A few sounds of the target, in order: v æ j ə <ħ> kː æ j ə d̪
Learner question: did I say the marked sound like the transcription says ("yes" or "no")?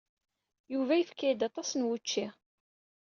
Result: no